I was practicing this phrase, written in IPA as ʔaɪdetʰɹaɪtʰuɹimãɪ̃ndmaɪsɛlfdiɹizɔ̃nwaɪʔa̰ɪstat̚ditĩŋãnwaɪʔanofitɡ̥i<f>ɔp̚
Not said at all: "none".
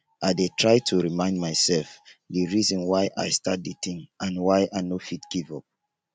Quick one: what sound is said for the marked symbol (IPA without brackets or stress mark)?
v